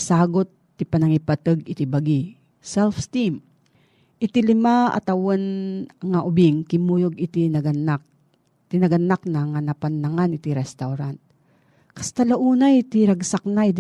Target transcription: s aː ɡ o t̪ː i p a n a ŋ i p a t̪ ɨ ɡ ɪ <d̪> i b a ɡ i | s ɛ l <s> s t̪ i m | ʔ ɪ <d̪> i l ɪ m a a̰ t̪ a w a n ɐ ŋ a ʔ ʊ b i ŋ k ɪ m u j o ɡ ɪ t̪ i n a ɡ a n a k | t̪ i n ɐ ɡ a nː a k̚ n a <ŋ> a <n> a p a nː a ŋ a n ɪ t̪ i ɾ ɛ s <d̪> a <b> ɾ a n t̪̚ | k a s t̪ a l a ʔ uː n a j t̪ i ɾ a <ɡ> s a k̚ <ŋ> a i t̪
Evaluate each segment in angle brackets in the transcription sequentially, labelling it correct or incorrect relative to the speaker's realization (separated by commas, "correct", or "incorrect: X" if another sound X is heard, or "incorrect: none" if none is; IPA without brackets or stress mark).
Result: incorrect: t̪, incorrect: f, incorrect: t̪, correct, correct, incorrect: t̪, incorrect: w, correct, incorrect: n